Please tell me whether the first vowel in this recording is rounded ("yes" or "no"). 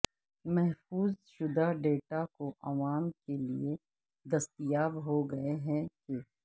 no